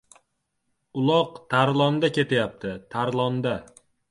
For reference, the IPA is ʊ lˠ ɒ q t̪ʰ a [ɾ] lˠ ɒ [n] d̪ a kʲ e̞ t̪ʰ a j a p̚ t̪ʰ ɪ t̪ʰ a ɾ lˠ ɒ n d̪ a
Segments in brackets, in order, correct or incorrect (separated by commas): correct, correct